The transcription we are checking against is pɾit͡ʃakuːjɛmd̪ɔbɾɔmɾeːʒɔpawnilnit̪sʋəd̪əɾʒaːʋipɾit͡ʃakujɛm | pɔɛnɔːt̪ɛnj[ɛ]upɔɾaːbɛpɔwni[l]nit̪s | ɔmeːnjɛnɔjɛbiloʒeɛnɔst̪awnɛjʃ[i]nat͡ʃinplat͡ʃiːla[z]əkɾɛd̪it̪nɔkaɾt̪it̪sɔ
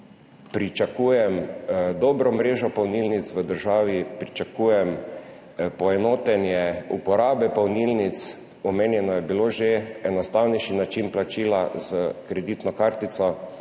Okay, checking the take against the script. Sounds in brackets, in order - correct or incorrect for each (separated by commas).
correct, correct, correct, correct